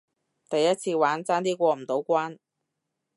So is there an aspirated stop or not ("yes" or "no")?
yes